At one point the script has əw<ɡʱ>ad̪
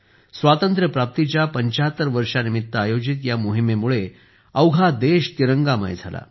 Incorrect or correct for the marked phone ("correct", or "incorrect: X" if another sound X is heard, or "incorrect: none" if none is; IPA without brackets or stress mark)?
correct